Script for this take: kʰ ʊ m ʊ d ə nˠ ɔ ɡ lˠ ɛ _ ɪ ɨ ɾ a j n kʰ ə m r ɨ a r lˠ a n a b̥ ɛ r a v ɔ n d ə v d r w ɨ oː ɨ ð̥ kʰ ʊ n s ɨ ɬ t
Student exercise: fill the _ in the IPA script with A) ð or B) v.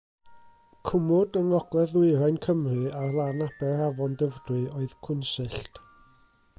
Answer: A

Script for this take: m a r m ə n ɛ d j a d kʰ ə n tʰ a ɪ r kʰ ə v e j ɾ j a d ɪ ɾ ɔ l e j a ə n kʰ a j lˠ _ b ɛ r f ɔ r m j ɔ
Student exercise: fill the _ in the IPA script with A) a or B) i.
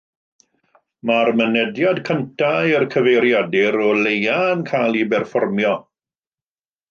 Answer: B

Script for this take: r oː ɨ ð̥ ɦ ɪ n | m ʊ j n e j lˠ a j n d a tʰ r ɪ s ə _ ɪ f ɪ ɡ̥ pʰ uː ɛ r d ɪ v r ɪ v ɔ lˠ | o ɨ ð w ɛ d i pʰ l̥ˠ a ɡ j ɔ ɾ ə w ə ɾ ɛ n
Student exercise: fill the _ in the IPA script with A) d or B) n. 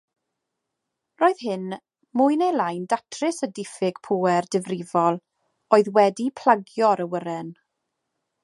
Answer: A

